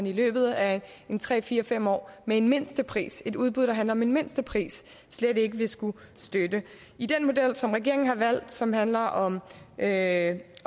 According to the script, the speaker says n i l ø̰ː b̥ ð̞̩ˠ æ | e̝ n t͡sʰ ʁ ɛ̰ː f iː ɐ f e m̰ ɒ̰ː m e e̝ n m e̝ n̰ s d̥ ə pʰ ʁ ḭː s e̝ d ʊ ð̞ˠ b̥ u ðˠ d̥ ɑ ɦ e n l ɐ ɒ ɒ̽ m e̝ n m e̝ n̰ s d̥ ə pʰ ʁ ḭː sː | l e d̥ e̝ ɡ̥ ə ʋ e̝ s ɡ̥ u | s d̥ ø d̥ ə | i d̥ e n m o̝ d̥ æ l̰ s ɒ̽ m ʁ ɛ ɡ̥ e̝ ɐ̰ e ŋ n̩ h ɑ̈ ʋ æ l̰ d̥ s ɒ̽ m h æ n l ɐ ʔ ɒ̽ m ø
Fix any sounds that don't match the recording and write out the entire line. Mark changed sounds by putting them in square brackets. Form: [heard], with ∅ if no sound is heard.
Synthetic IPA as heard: n i l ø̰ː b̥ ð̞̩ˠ æ | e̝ n t͡sʰ ʁ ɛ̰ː f iː ɐ f e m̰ ɒ̰ː m e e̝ n m e̝ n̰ s d̥ ə pʰ ʁ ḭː s e̝ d [u] ð̞ˠ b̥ u ðˠ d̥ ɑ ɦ [æ] n l ɐ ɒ ɒ̽ m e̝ n m e̝ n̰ s d̥ ə pʰ ʁ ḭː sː | l e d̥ e̝ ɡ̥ ə ʋ e̝ s ɡ̥ u | s d̥ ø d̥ ə | i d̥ e n m o̝ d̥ [e] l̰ s ɒ̽ m ʁ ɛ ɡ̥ e̝ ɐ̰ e ŋ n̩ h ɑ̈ ʋ æ l̰ d̥ s ɒ̽ m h æ n l ɐ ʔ ɒ̽ m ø